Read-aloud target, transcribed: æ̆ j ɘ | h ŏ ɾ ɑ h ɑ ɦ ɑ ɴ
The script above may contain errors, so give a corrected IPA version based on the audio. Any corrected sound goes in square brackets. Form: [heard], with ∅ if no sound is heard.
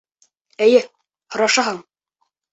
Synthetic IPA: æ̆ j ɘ | h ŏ ɾ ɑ [ʃ] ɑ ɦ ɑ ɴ

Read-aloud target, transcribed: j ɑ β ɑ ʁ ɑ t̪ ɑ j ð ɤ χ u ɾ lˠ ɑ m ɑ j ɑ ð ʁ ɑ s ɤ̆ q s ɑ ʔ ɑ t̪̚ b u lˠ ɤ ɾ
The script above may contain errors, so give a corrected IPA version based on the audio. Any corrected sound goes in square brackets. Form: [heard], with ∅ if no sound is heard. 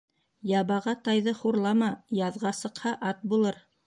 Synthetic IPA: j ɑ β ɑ ʁ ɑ t̪ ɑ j ð ɤ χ u ɾ lˠ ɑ m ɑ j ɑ ð ʁ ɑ s ɤ̆ q [h] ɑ ʔ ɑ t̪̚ b u lˠ ɤ ɾ

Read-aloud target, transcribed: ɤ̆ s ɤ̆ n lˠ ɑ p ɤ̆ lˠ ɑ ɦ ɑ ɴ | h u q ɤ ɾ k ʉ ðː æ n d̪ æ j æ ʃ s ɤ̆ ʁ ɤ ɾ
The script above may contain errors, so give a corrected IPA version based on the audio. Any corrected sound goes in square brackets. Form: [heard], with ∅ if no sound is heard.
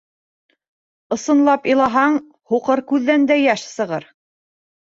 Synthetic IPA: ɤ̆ s ɤ̆ n lˠ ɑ p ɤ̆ lˠ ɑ ɦ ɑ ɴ | h u q ɤ ɾ k ʉ ðː æ n d̪ æ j æ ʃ s ɤ̆ ʁ ɤ ɾ

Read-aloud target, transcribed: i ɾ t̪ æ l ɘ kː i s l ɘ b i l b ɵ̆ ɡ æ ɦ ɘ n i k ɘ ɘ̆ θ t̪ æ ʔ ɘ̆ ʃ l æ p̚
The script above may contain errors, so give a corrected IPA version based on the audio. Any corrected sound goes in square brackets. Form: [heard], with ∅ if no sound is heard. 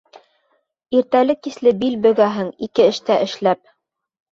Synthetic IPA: i ɾ t̪ æ l ɘ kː i s l ɘ b i l b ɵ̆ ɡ æ ɦ ɘ [ŋ] i k ɘ ɘ̆ [ʃ] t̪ æ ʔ ɘ̆ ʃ l æ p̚

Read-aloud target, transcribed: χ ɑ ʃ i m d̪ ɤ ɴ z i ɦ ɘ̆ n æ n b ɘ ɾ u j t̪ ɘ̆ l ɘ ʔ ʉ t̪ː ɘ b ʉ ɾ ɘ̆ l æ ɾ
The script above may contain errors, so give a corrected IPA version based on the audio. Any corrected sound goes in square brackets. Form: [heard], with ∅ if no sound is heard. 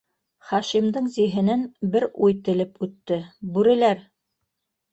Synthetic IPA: χ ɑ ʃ i m d̪ ɤ ɴ z i ɦ ɘ̆ n æ n b ɘ ɾ u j t̪ ɘ̆ l ɘ [p] ʉ t̪ː ɘ b ʉ ɾ ɘ̆ l æ ɾ

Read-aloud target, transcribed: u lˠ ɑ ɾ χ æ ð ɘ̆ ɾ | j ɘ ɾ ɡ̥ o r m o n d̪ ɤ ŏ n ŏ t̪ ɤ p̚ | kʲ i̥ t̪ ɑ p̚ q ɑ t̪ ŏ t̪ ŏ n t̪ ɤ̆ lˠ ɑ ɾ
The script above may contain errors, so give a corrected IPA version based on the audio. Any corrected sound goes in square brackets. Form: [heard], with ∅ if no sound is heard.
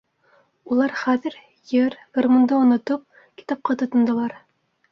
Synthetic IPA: u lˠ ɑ ɾ χ æ ð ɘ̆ ɾ | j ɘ ɾ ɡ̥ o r m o n d̪ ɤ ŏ n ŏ t̪ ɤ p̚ | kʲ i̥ t̪ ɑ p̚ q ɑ t̪ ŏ t̪ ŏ n [d̪] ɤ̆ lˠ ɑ ɾ

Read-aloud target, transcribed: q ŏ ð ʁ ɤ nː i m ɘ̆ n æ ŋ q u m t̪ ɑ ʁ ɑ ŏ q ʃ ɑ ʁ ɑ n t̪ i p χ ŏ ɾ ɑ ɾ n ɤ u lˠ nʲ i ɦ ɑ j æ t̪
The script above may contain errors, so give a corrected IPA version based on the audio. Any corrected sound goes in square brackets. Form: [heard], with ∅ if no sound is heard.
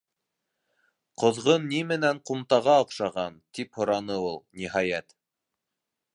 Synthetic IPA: q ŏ ð ʁ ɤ nː i m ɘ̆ n æ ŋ q u m t̪ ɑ ʁ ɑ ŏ q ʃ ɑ ʁ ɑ n t̪ i p [h] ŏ ɾ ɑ [∅] n ɤ u lˠ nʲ i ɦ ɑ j æ t̪

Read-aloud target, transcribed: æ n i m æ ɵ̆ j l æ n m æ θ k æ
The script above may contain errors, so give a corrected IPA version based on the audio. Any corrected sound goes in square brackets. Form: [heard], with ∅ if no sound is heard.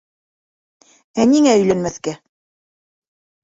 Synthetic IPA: æ n i [ŋ] æ ɵ̆ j l æ n m æ θ k æ

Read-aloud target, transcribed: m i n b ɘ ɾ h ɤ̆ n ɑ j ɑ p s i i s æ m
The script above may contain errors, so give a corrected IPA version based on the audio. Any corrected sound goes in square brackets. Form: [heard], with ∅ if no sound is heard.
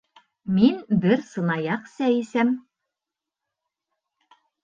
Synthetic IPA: m i n b ɘ ɾ [s] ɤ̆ n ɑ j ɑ [q] s [æ] i s æ m

